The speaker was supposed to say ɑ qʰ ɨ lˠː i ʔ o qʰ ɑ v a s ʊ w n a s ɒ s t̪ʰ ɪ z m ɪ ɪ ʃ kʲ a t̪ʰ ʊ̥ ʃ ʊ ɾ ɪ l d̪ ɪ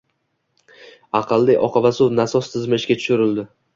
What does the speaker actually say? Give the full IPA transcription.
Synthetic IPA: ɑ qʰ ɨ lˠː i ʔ ɒ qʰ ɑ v a s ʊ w n a s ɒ s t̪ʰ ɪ z m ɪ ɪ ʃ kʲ a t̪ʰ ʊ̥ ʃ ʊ ɾ ɪ l d̪ ɪ